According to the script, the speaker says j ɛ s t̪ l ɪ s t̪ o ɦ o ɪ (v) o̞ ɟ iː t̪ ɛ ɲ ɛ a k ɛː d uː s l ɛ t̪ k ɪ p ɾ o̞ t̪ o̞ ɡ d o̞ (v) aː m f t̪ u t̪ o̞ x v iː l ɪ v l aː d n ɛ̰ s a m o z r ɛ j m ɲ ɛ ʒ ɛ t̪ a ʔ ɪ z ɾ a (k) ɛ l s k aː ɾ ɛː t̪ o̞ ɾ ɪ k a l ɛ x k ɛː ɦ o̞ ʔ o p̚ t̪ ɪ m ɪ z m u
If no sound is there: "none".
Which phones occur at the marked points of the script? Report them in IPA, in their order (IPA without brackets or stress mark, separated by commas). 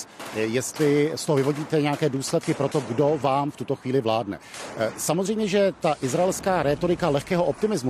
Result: v, v, none